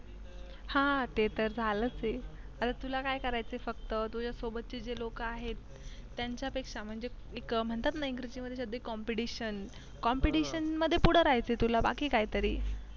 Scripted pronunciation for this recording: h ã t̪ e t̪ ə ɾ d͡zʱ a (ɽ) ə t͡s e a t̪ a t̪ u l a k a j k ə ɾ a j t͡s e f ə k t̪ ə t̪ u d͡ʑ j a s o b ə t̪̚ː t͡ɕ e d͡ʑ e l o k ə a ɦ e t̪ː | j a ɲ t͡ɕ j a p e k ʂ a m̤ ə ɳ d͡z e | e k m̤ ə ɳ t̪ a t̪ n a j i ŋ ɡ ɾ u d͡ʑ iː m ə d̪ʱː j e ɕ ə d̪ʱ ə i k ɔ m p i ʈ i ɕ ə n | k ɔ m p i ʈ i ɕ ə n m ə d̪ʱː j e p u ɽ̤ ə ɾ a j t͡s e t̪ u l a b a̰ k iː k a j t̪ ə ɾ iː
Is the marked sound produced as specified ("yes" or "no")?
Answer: no